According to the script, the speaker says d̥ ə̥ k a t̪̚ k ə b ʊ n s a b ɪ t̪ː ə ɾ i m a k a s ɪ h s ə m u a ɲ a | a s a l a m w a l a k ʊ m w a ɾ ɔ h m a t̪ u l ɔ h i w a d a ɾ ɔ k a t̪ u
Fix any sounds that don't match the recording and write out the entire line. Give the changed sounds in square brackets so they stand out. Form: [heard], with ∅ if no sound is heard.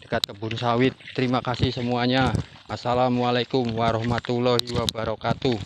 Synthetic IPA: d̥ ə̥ k a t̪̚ k ə b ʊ n s a [w] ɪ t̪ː ə ɾ i m a k a s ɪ h s ə m u a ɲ a | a s a l a m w a l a k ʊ m w a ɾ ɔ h m a t̪ u l ɔ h i w a [b] a ɾ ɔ k a t̪ u